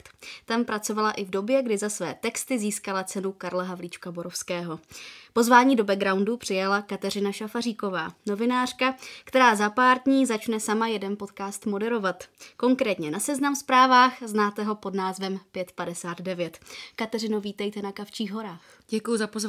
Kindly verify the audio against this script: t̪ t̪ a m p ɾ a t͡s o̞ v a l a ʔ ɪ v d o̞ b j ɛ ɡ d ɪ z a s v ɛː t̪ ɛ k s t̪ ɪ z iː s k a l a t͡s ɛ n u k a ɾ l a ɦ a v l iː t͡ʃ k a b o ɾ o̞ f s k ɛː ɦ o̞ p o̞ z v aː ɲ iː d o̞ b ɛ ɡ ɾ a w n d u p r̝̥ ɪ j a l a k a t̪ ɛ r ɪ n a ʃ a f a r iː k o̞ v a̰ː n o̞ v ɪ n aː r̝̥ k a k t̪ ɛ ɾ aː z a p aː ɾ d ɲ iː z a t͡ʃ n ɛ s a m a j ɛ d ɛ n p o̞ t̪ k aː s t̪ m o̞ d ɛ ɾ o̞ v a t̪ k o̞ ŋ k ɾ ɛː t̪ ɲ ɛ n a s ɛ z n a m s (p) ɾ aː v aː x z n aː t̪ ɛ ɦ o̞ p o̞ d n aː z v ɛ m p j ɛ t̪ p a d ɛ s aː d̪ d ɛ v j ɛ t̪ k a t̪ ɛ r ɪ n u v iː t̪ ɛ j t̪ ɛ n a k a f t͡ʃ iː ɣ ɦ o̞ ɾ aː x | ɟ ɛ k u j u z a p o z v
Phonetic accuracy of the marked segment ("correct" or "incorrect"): correct